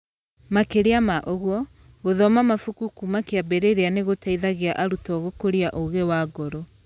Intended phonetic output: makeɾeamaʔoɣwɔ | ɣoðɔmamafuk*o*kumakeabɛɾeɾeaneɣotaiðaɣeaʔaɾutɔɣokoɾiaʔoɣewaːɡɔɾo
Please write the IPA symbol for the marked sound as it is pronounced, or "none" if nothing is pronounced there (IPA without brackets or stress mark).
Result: u